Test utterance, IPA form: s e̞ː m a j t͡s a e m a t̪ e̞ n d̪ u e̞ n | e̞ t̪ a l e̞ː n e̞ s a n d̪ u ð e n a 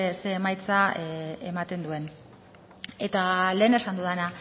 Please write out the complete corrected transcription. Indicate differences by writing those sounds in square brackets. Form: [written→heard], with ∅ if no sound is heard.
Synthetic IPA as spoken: s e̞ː m a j t͡s a e m a t̪ e̞ n d̪ u e̞ n | e̞ t̪ a l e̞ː n e̞ s a n d̪ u ð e n a